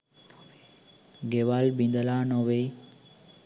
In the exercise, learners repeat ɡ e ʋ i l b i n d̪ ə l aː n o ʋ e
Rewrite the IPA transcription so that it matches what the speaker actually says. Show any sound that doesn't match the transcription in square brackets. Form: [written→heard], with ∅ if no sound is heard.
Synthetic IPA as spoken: ɡ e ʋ [i→a] l b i n d̪ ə l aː n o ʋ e